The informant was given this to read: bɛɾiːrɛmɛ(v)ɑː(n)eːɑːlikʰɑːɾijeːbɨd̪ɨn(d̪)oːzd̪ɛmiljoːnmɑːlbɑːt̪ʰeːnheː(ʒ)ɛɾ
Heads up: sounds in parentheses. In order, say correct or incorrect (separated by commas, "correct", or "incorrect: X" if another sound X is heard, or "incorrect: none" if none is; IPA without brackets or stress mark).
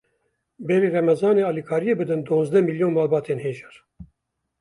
incorrect: z, correct, correct, correct